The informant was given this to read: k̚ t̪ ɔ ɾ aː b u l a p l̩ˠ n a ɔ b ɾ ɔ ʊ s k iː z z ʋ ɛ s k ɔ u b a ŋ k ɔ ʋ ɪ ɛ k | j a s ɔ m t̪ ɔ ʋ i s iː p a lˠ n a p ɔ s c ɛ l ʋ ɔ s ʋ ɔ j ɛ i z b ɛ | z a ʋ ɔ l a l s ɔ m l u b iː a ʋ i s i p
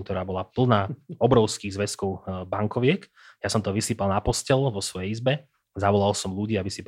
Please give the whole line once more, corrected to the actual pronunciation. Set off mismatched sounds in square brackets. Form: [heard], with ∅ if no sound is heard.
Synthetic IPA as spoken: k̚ t̪ ɔ ɾ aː b [ɔ] l a p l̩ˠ n a ɔ b ɾ ɔ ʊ s k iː [ɣ] z ʋ ɛ s k ɔ [ʊ] b a ŋ k ɔ ʋ ɪ ɛ k | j a s ɔ m t̪ ɔ ʋ i s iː p a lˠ n a p ɔ s c ɛ l ʋ ɔ s ʋ ɔ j ɛ i z b ɛ | z a ʋ ɔ l a l s ɔ m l u [ɟ] iː a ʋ i s i p